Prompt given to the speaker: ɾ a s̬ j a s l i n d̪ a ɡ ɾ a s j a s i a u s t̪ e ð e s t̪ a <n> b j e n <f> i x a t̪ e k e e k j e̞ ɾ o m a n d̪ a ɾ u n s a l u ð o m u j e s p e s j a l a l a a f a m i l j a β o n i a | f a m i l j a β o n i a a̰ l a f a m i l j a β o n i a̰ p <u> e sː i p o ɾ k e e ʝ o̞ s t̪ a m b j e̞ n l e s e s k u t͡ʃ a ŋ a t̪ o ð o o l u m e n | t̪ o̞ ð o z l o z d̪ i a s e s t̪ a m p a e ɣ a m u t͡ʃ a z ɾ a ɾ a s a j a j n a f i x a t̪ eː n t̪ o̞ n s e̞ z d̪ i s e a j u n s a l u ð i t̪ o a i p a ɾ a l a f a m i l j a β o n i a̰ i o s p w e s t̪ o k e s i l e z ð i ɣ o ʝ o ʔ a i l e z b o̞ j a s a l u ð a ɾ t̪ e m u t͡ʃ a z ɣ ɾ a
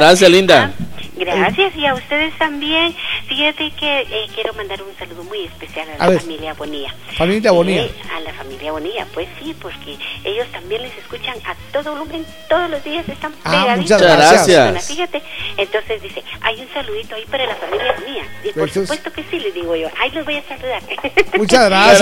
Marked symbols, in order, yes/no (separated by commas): no, yes, no